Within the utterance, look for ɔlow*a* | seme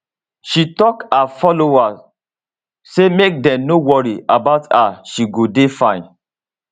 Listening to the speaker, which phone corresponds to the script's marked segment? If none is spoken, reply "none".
a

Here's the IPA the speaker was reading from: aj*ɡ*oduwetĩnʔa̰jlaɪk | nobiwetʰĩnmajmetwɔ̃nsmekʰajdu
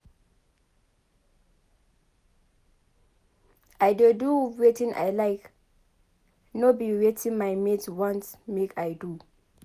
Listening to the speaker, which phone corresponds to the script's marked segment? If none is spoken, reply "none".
d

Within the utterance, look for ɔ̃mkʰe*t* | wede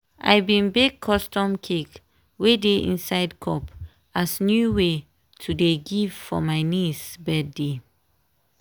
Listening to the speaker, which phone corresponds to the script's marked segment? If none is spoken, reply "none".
k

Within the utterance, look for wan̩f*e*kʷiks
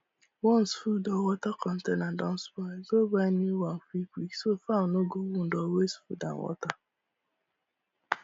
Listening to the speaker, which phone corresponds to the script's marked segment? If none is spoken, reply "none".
i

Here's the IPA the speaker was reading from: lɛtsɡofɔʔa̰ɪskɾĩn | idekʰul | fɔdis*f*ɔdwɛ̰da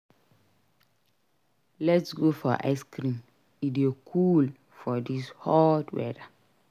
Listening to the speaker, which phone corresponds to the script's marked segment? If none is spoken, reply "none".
h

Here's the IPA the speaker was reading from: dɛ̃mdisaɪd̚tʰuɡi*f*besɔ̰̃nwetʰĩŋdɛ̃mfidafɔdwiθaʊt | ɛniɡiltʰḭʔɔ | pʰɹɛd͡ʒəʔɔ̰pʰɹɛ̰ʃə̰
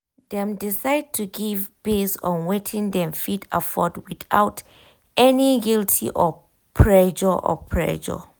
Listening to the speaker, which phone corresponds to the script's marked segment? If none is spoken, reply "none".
v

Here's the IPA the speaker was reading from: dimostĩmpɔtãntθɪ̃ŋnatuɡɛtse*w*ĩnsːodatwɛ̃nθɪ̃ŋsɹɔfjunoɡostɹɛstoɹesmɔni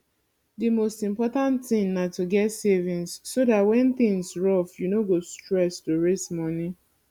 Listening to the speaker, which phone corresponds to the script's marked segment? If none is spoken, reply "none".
v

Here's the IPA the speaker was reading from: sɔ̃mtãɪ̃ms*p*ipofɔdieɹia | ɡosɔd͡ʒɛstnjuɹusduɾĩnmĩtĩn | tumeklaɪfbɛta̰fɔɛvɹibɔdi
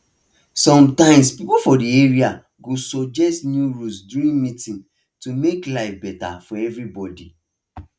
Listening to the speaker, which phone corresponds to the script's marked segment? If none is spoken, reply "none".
p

